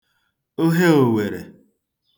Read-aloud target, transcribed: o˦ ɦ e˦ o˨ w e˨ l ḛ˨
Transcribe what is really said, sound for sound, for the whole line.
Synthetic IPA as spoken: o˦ ɦ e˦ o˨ w e˨ ɾ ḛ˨

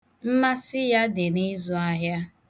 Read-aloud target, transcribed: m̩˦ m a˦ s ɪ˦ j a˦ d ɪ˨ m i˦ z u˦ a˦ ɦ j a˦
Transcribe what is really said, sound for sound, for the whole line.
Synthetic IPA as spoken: m̩˦ m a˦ s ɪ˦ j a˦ d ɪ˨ n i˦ z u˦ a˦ ɦ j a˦

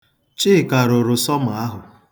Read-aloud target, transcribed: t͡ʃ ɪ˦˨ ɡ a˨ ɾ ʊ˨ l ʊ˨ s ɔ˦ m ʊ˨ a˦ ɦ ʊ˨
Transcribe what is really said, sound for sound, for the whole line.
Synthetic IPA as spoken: t͡ʃ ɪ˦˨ k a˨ ɾ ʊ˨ ɾ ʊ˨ s ɔ˦ m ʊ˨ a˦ ɦ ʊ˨

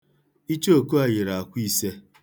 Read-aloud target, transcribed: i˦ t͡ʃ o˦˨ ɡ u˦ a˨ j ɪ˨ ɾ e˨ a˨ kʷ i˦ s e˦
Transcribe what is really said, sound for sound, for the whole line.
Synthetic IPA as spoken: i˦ t͡ʃ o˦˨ k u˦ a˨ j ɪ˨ ɾ a˨ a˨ kʷ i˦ s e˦

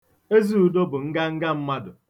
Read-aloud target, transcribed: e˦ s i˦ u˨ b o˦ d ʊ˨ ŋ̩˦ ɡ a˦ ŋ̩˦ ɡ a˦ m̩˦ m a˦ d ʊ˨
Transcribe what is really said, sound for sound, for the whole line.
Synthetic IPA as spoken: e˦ z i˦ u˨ d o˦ b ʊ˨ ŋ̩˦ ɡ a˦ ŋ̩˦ ɡ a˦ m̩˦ m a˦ d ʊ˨

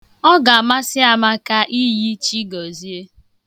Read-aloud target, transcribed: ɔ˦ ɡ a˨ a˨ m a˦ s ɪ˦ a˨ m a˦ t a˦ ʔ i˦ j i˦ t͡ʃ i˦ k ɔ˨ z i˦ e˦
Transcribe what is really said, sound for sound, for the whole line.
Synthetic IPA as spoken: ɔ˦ ɡ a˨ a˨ m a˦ s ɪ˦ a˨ m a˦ k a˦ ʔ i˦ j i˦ t͡ʃ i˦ ɡ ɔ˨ z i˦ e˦

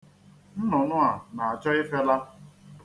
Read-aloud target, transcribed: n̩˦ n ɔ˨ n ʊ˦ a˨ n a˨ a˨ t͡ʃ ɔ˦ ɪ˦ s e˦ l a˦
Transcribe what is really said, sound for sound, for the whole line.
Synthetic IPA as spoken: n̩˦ n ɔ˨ n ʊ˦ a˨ n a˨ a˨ t͡ʃ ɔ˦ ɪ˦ f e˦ l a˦

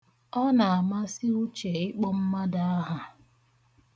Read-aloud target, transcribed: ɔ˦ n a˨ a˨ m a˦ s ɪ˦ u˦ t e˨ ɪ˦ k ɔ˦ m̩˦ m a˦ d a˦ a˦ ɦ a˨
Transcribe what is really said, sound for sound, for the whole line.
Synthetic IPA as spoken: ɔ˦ n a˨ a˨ m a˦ s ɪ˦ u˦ t͡ʃ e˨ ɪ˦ k͡p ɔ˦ m̩˦ m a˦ d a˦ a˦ ɦ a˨

